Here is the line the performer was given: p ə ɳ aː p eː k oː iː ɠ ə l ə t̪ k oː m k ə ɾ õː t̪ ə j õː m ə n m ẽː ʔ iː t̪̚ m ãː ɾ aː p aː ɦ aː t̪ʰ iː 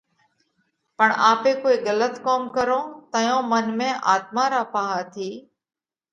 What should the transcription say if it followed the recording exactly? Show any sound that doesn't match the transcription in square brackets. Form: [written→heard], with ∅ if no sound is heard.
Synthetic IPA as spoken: p ə ɳ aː p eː k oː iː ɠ ə l ə t̪ k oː m k ə ɾ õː t̪ ə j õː m ə n m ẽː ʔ [iː→aː] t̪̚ m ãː ɾ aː p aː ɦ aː t̪ʰ iː